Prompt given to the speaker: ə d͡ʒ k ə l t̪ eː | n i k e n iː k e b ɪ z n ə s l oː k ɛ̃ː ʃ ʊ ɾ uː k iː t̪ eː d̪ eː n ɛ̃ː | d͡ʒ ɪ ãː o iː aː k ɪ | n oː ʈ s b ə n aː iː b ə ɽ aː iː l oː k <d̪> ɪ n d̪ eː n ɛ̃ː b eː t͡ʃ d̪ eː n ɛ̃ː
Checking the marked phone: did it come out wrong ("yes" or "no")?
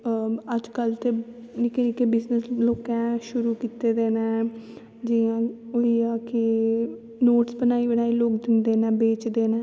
no